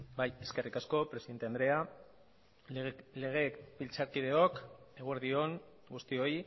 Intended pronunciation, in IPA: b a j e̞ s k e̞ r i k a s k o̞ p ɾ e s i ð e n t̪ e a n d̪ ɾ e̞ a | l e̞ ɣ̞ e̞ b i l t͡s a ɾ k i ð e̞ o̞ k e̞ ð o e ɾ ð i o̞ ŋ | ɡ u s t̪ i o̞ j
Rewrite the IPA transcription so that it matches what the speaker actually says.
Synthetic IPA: b a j e̞ s k e̞ r i k a s k o̞ p ɾ e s i ð e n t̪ e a n d̪ ɾ e̞ a | l e̞ ɣ̞ e̞ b i l t͡s a ɾ k i ð e̞ o̞ k e̞ ɣ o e ɾ ð i o̞ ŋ | ɡ u s t̪ i o̞ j